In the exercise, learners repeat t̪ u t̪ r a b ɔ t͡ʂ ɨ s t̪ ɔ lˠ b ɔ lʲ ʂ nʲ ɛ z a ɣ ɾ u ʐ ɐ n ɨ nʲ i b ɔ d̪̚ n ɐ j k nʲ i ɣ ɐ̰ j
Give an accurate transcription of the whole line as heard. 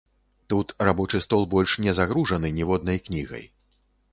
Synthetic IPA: t̪ u t̪ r a b ɔ t͡ʂ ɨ s t̪ ɔ lˠ b ɔ lʲ ʂ nʲ ɛ z a ɣ ɾ u ʐ ɐ n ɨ nʲ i v ɔ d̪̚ n ɐ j k nʲ i ɣ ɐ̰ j